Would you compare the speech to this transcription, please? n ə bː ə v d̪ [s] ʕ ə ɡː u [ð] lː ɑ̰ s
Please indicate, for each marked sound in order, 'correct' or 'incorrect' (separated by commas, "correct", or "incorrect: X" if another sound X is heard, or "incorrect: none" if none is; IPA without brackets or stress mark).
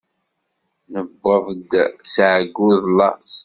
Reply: correct, correct